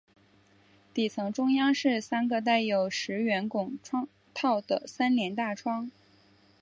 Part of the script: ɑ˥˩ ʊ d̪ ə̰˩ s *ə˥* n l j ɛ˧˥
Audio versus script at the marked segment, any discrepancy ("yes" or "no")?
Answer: yes